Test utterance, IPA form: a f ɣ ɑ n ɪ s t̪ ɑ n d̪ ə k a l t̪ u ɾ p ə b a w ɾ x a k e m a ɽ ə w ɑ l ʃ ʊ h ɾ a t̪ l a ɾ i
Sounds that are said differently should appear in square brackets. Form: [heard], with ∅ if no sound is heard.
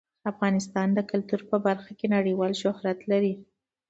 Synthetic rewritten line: a f ɣ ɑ n ɪ s t̪ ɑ n d̪ ə k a l t̪ u ɾ p ə b a [∅] ɾ x a k e [n] a ɽ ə w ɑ l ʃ ʊ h ɾ a t̪ l a ɾ i